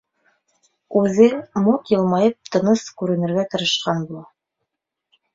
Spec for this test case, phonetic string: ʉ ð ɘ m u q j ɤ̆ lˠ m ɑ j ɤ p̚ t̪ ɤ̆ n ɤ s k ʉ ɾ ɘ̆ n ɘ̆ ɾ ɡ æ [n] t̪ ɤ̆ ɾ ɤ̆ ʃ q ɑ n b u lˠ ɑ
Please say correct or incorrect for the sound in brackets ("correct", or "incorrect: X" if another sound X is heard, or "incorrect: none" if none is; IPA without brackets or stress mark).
incorrect: none